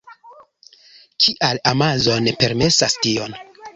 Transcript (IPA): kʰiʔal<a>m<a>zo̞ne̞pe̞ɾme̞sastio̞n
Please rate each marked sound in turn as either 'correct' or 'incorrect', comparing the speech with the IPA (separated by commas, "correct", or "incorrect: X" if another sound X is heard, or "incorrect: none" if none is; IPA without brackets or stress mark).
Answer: correct, correct